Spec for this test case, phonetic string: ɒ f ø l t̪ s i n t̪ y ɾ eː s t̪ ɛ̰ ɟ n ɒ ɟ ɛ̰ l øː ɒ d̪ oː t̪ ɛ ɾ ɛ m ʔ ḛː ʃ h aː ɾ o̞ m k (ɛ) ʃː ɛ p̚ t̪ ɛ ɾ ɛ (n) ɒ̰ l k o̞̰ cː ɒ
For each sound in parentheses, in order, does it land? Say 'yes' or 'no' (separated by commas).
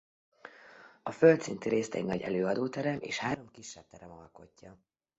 no, no